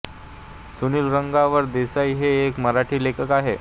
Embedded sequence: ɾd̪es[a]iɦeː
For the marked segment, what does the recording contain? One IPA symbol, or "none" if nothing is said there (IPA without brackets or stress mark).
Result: a